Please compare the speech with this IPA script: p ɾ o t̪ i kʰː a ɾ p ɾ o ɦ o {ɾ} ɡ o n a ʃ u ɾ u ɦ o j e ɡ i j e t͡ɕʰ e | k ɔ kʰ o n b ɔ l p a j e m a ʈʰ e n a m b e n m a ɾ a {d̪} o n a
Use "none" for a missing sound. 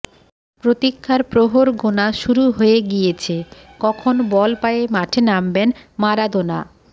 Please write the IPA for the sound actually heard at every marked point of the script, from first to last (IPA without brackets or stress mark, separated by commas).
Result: ɾ, d̪